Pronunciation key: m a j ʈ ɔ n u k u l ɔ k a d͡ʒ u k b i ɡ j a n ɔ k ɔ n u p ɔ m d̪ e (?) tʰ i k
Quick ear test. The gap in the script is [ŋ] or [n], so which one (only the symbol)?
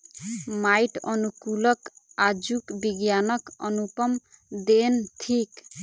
n